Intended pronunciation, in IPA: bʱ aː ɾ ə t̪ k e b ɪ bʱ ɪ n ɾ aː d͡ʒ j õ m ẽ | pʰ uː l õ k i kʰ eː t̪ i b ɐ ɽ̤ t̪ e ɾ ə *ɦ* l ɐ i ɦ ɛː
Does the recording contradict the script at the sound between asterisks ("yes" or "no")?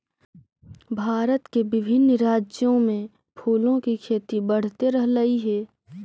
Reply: no